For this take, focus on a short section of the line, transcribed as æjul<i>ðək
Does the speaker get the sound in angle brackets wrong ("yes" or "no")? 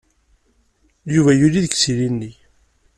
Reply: no